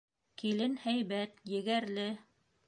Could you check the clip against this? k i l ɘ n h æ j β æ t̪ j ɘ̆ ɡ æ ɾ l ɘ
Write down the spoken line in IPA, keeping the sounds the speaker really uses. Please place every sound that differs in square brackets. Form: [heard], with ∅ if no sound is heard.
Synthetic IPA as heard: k i l ɘ n h æ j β æ t̪ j ɘ̆ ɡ æ ɾ l ɘ